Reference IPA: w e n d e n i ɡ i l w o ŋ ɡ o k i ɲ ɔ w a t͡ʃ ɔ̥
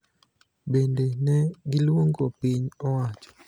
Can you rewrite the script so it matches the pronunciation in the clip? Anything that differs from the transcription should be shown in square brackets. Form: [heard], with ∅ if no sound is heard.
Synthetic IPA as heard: [b] e n d e n [ɛ] ɡ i l w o ŋ ɡ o [p] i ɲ ɔ w a t͡ʃ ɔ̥